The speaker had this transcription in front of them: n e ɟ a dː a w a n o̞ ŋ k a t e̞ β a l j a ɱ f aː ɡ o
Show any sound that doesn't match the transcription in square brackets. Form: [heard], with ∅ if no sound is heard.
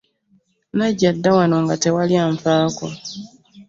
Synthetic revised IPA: n [a] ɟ a dː a w a n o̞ ŋ [ɡ] a t e̞ [w] a l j a ɱ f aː [k] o